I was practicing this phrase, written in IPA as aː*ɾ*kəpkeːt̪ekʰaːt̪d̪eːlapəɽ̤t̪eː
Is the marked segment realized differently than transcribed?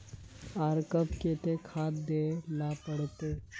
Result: no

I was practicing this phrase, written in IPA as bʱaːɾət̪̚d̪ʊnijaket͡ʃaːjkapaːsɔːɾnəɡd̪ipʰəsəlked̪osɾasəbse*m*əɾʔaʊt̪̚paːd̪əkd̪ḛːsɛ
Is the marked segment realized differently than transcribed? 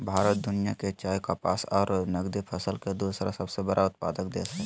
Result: yes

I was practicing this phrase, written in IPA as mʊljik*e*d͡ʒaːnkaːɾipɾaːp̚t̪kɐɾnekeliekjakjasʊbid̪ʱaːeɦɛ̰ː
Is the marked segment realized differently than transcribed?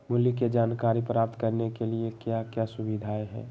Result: no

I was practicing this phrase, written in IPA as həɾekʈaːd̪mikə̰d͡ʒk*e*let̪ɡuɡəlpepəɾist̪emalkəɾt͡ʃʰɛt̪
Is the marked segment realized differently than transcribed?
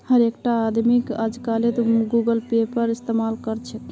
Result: yes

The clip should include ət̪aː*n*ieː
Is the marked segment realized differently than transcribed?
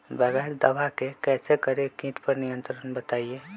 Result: yes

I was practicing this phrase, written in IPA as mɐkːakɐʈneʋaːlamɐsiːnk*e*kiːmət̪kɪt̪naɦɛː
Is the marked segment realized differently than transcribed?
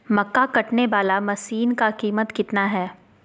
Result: yes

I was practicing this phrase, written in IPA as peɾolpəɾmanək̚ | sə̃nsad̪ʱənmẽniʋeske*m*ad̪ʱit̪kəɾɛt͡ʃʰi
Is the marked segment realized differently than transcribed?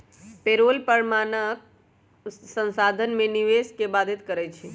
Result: yes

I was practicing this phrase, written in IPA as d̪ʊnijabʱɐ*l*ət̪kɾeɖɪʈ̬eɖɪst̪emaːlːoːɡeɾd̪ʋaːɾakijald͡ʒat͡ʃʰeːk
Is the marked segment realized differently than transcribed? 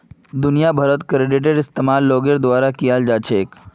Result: yes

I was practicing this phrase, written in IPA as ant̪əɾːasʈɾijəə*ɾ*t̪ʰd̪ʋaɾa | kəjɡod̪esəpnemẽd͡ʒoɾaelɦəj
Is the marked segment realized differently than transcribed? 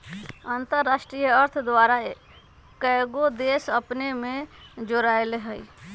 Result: no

